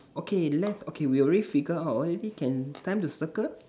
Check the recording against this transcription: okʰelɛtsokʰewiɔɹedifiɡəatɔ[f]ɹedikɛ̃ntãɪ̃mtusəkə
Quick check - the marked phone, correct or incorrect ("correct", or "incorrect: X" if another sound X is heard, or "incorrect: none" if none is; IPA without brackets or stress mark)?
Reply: incorrect: none